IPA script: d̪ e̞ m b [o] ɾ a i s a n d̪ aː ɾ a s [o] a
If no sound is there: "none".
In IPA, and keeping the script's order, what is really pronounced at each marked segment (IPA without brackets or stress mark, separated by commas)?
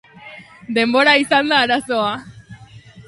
o, o